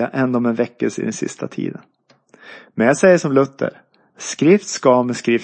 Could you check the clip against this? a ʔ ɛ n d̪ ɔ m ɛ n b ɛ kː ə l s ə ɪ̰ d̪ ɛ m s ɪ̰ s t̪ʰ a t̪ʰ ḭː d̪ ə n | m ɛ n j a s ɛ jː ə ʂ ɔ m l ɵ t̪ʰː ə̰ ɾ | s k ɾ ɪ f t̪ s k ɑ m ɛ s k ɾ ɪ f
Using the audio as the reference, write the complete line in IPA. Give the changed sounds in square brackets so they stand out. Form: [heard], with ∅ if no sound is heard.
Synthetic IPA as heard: a ʔ ɛ n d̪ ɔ m ɛ n [v] ɛ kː ə l s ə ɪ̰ d̪ ɛ [n] s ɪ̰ s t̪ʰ a t̪ʰ ḭː d̪ ə n | m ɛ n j a s ɛ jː ə ʂ ɔ m l ɵ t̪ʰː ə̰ ɾ | s k ɾ ɪ f t̪ s k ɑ m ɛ s k ɾ ɪ f